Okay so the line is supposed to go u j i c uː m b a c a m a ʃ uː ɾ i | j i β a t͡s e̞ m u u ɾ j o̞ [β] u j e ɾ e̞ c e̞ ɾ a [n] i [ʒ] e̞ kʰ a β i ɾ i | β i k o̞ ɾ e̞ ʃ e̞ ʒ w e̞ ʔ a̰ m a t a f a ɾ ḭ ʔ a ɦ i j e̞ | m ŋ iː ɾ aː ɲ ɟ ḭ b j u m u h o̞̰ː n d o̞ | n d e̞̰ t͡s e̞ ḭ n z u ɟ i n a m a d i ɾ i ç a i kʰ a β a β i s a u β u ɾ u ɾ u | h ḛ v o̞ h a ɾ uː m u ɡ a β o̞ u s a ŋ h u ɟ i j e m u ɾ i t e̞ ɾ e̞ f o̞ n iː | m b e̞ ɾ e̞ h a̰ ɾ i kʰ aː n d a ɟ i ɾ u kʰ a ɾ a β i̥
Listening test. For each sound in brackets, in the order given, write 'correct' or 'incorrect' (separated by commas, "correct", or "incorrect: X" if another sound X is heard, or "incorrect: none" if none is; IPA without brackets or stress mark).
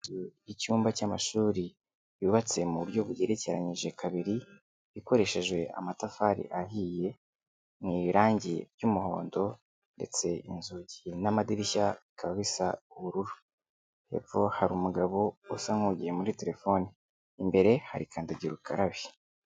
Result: correct, incorrect: ɲ, correct